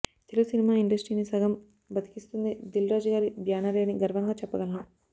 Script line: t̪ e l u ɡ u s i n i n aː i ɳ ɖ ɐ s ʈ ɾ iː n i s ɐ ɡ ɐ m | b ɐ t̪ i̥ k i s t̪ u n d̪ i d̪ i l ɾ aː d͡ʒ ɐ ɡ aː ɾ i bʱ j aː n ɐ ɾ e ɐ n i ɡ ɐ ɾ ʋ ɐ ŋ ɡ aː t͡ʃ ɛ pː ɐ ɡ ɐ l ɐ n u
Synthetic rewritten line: t̪ e l u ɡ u s i n i m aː i ɳ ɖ ɐ s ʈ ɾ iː n i s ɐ ɡ ɐ m | b ɐ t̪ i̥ k i s t̪ u n d̪ i d̪ i l ɾ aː d͡ʒ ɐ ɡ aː ɾ i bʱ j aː n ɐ ɾ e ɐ n i ɡ ɐ ɾ ʋ ɐ ŋ ɡ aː t͡ʃ ɛ pː ɐ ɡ ɐ l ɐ n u